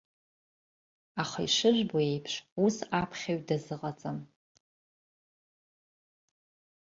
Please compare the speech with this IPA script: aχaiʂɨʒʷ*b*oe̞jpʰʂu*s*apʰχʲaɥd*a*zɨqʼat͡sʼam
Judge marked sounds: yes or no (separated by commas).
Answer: yes, yes, yes